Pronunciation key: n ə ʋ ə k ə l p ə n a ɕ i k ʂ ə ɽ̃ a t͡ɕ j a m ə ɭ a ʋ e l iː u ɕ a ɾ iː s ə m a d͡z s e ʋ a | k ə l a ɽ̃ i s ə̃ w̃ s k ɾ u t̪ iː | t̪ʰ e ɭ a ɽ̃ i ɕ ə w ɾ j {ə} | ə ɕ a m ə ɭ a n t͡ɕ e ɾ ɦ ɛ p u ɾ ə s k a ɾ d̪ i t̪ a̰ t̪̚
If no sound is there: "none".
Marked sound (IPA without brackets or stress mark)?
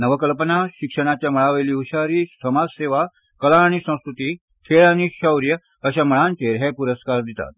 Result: ə